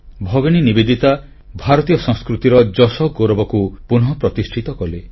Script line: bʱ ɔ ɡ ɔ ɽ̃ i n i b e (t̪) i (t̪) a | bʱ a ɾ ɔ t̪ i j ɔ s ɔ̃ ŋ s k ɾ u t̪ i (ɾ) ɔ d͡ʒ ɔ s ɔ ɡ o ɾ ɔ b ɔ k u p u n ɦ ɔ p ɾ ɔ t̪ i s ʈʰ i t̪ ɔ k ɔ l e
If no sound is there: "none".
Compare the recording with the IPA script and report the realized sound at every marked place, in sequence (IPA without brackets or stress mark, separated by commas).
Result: d̪, t̪, ɾ